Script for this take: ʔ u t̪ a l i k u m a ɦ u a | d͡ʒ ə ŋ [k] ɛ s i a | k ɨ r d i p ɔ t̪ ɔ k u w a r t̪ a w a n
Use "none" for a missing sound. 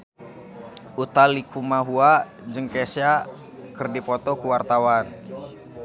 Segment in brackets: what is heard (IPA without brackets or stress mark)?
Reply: k